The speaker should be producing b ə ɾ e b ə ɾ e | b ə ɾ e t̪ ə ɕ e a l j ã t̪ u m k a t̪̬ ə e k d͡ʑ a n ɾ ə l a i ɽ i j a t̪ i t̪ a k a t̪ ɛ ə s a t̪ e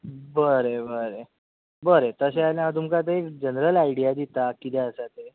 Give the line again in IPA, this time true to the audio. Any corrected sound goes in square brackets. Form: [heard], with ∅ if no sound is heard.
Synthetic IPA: b ə ɾ e b ə ɾ e | b ə ɾ e t̪ ə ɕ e a l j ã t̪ u m k a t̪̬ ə e k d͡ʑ [ə] n ɾ ə l a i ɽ i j a [d̪] i t̪ a k [i] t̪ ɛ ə s a t̪ e